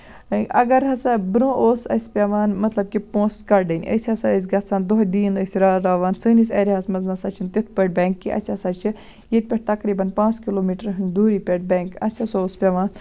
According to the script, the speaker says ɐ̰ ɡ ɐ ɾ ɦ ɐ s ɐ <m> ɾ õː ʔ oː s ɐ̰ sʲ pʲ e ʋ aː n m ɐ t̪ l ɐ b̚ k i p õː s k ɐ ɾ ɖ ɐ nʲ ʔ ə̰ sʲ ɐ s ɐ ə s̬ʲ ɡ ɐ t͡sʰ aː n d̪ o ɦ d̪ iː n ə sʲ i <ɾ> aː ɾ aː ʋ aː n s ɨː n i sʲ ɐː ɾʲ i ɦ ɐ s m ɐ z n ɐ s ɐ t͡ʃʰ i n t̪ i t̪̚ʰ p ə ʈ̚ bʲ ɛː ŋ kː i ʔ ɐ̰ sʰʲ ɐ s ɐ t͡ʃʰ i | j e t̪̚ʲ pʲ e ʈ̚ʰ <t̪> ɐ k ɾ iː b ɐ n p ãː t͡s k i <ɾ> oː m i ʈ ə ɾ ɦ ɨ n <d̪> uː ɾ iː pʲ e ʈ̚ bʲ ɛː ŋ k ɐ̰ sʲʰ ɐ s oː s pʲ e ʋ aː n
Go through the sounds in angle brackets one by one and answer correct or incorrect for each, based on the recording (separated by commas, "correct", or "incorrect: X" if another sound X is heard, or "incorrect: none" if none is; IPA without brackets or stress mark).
incorrect: b, correct, correct, incorrect: l, correct